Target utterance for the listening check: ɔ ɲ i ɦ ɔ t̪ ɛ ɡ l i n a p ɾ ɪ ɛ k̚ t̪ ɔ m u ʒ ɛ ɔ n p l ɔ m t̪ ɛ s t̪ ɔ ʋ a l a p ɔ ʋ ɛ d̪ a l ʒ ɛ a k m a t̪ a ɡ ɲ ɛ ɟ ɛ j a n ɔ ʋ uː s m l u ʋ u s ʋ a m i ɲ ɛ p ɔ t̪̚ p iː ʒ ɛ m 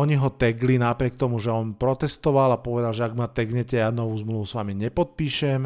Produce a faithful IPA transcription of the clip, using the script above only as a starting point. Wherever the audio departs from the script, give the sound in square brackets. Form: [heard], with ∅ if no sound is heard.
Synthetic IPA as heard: ɔ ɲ i ɦ ɔ t̪ ɛ ɡ l i n a p ɾ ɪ ɛ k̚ t̪ ɔ m u ʒ ɛ ɔ n p [ɾ] ɔ [∅] t̪ ɛ s t̪ ɔ ʋ a l a p ɔ ʋ ɛ d̪ a l ʒ ɛ a [ɡ] m a t̪ [ɛ] ɡ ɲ ɛ [c] ɛ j a n ɔ ʋ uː [z] m l u ʋ u s ʋ a m i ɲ ɛ p ɔ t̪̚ p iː [ʃ] ɛ m